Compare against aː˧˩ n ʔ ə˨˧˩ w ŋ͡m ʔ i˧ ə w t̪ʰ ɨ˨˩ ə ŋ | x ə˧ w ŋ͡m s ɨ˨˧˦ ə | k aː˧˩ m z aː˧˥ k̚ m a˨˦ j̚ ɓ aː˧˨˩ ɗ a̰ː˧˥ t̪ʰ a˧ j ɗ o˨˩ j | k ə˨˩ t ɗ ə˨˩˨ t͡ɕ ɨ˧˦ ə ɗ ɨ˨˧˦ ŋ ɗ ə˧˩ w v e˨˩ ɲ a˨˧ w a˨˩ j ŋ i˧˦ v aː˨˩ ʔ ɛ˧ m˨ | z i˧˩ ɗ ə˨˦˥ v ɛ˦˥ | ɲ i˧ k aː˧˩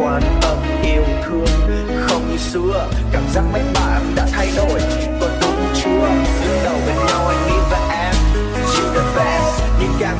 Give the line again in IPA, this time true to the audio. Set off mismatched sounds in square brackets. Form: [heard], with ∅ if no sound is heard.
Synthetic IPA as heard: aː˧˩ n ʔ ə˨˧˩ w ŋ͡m ʔ i˧ ə w t̪ʰ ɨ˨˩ ə ŋ | x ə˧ w ŋ͡m s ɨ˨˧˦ ə | k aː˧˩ m z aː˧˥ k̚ m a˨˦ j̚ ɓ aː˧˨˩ ɗ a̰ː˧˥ t̪ʰ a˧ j ɗ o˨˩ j | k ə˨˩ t ɗ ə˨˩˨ t͡ɕ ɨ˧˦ ə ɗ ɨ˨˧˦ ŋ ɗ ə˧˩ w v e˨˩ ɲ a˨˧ w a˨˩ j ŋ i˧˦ v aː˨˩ ʔ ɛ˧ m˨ | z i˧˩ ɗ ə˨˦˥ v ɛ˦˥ | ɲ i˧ k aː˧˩

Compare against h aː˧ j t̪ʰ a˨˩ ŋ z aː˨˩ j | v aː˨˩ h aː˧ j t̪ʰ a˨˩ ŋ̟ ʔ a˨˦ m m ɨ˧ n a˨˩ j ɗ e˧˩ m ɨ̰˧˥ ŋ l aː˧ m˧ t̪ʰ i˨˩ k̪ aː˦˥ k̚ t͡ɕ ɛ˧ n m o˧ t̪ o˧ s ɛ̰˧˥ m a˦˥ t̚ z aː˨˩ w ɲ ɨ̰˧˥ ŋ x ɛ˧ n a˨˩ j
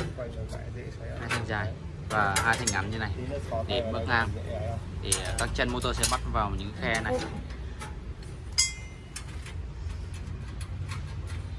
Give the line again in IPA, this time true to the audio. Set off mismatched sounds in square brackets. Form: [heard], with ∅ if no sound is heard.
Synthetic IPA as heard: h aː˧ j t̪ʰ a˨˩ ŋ z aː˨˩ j | v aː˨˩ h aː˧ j t̪ʰ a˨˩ ŋ̟ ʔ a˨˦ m [ɲ] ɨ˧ n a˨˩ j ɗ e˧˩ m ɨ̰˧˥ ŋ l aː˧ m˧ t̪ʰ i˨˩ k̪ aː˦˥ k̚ t͡ɕ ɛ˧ n m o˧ t̪ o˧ s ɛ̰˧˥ m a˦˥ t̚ [v] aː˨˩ w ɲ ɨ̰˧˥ ŋ x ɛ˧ n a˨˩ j

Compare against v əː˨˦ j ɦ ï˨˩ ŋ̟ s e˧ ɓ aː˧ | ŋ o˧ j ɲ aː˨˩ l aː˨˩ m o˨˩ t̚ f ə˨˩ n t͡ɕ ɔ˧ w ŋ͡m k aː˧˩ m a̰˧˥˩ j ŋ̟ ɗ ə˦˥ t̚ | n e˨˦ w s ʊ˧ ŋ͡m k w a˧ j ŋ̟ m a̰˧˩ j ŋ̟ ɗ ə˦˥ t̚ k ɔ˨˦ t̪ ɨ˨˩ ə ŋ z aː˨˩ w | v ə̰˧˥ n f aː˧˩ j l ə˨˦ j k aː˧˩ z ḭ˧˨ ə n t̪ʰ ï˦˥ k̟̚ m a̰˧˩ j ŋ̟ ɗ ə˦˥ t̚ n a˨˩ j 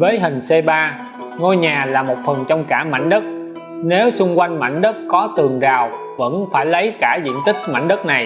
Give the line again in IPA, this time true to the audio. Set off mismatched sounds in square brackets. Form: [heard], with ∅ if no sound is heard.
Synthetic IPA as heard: v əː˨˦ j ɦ ï˨˩ ŋ̟ s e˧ ɓ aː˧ | ŋ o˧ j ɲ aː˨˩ l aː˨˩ m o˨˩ t̚ f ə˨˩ n t͡ɕ ɔ˧ w ŋ͡m k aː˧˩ m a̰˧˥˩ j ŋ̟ ɗ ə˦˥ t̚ | n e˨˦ w s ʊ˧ ŋ͡m k w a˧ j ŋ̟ m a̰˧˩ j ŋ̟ ɗ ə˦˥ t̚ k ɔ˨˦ t̪ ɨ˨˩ ə ŋ z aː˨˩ w | v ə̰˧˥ n f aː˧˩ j l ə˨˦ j k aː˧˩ z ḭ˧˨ ə n [t̪] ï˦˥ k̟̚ m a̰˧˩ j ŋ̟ ɗ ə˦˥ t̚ n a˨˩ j

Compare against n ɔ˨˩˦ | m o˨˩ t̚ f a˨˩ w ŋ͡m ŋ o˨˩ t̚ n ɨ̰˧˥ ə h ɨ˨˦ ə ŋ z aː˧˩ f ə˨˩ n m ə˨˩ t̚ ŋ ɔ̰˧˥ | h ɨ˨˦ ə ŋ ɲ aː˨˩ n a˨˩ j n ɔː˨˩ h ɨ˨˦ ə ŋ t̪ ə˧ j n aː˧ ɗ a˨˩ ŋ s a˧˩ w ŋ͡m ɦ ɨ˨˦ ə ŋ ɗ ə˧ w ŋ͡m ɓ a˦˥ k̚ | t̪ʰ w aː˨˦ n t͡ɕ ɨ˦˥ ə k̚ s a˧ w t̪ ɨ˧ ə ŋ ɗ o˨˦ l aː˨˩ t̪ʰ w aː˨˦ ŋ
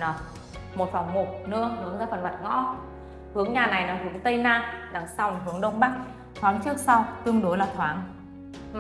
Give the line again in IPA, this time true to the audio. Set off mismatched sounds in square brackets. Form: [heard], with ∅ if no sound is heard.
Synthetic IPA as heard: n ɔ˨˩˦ | m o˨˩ t̚ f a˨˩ w ŋ͡m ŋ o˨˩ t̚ n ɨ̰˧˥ ə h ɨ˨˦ ə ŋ z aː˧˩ f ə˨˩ n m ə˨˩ t̚ ŋ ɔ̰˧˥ | h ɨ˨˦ ə ŋ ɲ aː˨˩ n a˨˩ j n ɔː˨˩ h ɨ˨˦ ə ŋ t̪ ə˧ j n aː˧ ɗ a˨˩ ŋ s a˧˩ w ŋ͡m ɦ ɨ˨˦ ə ŋ ɗ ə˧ w ŋ͡m ɓ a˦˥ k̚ | t̪ʰ w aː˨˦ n t͡ɕ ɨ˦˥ ə k̚ s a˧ w t̪ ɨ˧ ə ŋ ɗ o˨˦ l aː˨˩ t̪ʰ w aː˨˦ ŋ

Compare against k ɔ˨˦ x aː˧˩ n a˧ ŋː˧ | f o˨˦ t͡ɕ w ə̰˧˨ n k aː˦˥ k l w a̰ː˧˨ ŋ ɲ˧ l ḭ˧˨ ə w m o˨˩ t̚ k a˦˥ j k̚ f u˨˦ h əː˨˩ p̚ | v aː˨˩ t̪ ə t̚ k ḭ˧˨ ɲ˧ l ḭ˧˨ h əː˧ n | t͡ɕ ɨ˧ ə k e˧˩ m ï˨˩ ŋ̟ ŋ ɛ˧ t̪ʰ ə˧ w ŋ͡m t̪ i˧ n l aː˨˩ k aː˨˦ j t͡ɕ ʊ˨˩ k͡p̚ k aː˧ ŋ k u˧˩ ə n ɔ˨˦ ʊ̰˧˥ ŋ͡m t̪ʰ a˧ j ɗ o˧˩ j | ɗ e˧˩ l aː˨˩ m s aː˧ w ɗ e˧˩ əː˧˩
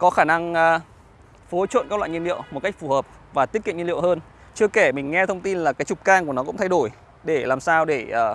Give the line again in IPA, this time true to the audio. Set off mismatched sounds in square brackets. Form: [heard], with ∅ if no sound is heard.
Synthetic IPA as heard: k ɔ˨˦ x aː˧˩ n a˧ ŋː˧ | f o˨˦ t͡ɕ w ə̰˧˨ n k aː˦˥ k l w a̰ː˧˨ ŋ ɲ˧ l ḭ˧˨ ə w m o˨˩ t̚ k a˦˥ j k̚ f [u˧˩] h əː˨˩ p̚ | v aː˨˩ t̪ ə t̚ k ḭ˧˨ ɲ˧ l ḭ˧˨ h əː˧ n | t͡ɕ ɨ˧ ə k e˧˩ m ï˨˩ ŋ̟ ŋ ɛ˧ t̪ʰ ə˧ w ŋ͡m t̪ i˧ n l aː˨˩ k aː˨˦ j t͡ɕ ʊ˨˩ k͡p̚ k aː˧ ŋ k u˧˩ ə n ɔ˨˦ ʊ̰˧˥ ŋ͡m t̪ʰ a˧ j ɗ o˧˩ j | ɗ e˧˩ l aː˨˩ m s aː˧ w ɗ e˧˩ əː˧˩

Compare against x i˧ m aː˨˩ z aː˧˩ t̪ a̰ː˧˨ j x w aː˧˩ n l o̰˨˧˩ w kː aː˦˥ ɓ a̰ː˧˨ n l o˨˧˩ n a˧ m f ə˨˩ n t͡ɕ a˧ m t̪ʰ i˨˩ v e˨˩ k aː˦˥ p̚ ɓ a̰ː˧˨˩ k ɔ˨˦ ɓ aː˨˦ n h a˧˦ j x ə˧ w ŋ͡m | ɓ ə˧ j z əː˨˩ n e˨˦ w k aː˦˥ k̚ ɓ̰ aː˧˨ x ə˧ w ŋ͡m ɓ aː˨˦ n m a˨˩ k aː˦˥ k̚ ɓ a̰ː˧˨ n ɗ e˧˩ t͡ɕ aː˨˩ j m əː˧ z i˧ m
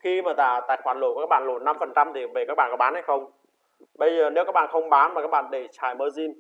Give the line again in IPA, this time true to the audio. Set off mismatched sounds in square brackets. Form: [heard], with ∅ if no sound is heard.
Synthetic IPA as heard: x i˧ m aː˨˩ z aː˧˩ t̪ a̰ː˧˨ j x w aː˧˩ n l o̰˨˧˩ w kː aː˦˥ ɓ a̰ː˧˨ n l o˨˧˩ n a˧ m f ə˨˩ n t͡ɕ a˧ m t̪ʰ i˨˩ v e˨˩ k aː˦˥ [k̚] ɓ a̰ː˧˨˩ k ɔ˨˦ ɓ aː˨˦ n h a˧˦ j x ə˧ w ŋ͡m | ɓ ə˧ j z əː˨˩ n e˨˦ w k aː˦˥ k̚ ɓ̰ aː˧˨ x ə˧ w ŋ͡m ɓ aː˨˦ n m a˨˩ k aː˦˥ k̚ ɓ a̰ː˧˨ n ɗ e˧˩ t͡ɕ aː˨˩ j m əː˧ z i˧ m

